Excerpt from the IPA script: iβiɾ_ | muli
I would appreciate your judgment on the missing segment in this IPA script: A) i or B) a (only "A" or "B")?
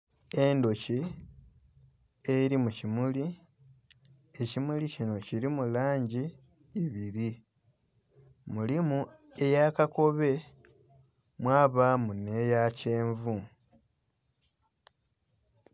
A